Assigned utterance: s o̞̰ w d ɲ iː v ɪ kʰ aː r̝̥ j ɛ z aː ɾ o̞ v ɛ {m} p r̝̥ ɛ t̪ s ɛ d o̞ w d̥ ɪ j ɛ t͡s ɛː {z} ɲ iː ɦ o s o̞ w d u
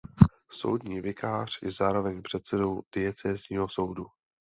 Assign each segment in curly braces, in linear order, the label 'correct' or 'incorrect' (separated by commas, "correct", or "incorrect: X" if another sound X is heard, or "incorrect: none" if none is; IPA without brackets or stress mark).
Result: incorrect: ɲ, correct